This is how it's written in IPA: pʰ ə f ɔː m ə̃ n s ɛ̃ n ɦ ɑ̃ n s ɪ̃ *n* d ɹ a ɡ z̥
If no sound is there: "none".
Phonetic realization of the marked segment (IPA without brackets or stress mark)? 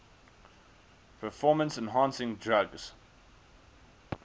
ŋ